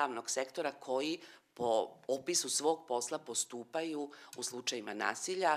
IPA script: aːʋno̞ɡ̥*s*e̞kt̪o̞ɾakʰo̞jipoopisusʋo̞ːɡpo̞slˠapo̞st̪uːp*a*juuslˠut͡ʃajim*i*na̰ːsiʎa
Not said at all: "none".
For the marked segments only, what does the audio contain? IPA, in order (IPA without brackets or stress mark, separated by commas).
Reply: s, a, a